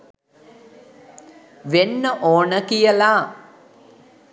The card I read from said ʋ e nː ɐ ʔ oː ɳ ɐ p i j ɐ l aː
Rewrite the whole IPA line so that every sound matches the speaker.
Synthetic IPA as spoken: ʋ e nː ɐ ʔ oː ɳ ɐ k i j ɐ l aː